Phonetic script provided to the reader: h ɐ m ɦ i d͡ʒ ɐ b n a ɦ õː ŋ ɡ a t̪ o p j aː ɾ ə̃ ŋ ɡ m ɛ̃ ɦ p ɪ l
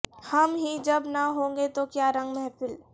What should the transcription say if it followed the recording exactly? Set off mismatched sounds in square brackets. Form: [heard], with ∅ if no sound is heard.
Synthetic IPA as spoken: h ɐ m ɦ i d͡ʒ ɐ b n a ɦ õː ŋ ɡ [e] t̪ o [k] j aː ɾ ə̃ ŋ ɡ m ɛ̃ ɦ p ɪ l